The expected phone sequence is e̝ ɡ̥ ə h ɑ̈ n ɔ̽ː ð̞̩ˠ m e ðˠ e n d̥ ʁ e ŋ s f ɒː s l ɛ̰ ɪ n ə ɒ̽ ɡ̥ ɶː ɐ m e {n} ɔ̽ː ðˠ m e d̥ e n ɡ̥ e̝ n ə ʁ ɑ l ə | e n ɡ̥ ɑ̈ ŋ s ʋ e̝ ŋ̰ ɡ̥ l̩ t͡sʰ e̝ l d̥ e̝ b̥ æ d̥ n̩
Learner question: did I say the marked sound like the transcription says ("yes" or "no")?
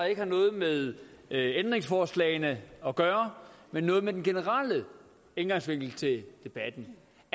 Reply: no